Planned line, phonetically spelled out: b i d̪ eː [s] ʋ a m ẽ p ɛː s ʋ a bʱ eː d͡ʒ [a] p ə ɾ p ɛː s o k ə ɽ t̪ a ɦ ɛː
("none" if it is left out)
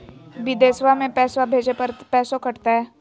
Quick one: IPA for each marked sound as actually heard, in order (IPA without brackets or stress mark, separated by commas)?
s, e